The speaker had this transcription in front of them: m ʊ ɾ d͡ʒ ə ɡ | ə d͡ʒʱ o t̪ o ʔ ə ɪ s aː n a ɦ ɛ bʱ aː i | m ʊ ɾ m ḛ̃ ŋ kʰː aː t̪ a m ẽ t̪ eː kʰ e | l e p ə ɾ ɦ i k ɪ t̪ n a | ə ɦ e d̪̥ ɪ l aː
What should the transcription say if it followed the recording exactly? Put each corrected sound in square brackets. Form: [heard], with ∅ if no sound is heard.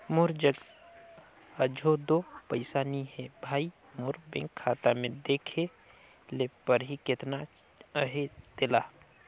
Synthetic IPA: m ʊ ɾ d͡ʒ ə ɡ | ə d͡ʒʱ o [d̪] o [p] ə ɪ s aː n [i] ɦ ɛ bʱ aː i | m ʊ ɾ [b] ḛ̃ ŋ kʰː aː t̪ a m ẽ [d̪] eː kʰ e | l e p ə ɾ ɦ i k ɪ t̪ n a | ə ɦ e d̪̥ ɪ l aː